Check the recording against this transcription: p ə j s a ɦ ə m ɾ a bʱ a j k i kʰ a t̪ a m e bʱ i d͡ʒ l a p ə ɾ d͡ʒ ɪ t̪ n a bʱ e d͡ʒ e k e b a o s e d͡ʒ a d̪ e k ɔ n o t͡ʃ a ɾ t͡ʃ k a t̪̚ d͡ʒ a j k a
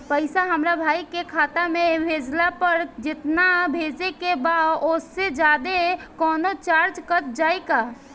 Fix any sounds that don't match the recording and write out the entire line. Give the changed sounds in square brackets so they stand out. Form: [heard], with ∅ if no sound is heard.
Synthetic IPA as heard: p ə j s a ɦ ə m ɾ a bʱ a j k [e] kʰ a t̪ a m e bʱ [e] d͡ʒ l a p ə ɾ d͡ʒ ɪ t̪ n a bʱ e d͡ʒ e k e b a o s e d͡ʒ a d̪ e k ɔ n o t͡ʃ a ɾ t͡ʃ k [ə] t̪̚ d͡ʒ a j k a

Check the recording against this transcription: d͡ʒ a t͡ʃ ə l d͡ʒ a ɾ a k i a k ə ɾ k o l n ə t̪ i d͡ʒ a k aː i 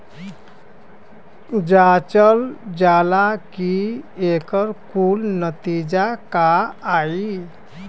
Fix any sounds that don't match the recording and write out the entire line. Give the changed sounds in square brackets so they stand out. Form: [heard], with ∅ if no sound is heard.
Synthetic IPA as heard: d͡ʒ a t͡ʃ ə l d͡ʒ a [l] a k i [e] k ə ɾ k [u] l n ə t̪ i d͡ʒ a k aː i

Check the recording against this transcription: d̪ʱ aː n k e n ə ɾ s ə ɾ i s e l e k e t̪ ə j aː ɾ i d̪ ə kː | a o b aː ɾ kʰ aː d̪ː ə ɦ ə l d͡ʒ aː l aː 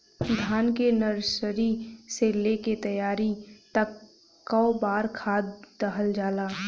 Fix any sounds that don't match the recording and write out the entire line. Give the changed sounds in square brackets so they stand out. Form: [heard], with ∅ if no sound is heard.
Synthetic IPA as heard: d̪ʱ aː n k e n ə ɾ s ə ɾ i s e l e k e t̪ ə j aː ɾ i [t̪] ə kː | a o b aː ɾ kʰ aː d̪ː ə ɦ ə l d͡ʒ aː l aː

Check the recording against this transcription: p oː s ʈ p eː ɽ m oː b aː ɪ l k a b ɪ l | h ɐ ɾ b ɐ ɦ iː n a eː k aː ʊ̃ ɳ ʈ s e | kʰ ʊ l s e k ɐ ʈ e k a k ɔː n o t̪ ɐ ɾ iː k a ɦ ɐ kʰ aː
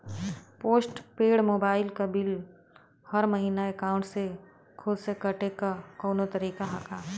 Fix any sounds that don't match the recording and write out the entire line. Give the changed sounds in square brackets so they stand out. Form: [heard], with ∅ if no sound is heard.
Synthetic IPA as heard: p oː s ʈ p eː ɽ m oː b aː ɪ l k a b ɪ l | h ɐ ɾ [m] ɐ ɦ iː n a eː k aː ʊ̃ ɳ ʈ s e | kʰ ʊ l s e k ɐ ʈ e k a k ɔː n o t̪ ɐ ɾ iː k a ɦ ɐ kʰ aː

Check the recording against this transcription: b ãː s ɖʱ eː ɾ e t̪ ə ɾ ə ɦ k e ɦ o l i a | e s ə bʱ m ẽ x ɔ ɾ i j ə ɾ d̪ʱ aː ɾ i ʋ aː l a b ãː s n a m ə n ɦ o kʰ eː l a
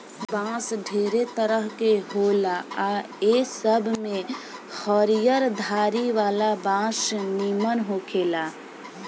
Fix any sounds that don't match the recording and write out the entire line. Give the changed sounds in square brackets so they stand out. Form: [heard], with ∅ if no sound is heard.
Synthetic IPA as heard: b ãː s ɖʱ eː ɾ e t̪ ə ɾ ə ɦ k e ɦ o l [a] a | e s ə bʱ m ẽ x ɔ ɾ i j ə ɾ d̪ʱ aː ɾ i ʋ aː l a b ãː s n [i] m ə n ɦ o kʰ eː l a

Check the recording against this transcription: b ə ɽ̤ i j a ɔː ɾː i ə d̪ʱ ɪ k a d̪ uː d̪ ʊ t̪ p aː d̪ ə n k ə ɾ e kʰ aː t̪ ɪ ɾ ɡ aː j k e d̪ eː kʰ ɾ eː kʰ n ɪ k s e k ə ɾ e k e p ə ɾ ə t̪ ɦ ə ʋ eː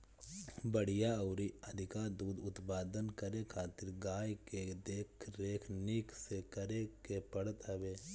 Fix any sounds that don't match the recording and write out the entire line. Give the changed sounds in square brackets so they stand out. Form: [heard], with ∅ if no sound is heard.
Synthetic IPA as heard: b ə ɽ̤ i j a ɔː [ɾ] i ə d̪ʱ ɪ k a d̪ uː d̪ ʊ t̪ p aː d̪ ə n k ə ɾ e kʰ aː t̪ ɪ ɾ ɡ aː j k e d̪ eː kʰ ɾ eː kʰ n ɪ k s e k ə ɾ e k e p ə [ɽ] ə t̪ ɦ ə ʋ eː

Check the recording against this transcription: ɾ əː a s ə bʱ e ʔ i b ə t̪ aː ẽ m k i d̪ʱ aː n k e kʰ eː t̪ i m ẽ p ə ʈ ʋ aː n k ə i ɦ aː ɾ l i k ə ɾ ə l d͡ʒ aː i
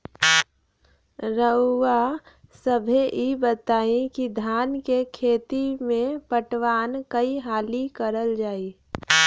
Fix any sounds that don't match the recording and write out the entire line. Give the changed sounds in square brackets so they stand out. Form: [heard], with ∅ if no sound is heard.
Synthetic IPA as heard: ɾ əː a s ə bʱ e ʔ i b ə t̪ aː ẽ [∅] k i d̪ʱ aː n k e kʰ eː t̪ i m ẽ p ə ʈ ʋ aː n k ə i ɦ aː [∅] l i k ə ɾ ə l d͡ʒ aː i

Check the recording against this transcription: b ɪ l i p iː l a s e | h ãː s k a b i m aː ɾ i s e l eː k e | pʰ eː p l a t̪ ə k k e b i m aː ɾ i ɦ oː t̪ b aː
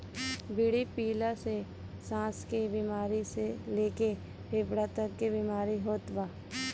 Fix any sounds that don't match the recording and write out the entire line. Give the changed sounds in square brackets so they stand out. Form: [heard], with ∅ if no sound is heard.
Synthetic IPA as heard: b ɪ [ɽ] i p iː l a s e | [s] ãː s k [e] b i m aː ɾ i s e l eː k e | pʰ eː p [ɽ] a t̪ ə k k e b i m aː ɾ i ɦ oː t̪ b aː

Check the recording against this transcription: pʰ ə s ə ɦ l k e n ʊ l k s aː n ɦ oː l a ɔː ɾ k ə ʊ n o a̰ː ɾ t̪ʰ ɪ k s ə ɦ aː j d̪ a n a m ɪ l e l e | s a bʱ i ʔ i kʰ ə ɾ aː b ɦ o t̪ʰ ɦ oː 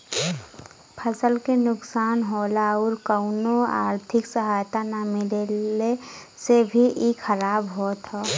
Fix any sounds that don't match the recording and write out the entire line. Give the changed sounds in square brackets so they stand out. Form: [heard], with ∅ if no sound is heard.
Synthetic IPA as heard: pʰ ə s ə [∅] l k e n ʊ [∅] k s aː n ɦ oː l a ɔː ɾ k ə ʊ n o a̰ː ɾ t̪ʰ ɪ k s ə ɦ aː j [t̪] a n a m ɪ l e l e | s [e] bʱ i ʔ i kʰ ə ɾ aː b ɦ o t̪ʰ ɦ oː

